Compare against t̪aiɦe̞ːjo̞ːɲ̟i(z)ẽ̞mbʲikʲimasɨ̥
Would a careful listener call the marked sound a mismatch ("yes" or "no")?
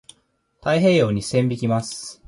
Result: yes